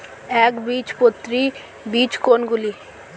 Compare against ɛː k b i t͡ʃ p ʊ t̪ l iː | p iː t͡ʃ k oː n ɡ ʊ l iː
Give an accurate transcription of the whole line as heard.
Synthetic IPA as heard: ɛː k b iː t͡ʃ p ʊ t̪ ɾ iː | b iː t͡ʃ k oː n ɡ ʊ l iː